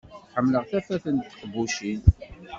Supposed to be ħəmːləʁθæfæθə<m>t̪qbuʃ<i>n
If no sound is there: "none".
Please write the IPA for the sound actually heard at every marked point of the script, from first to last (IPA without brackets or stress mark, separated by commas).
n, i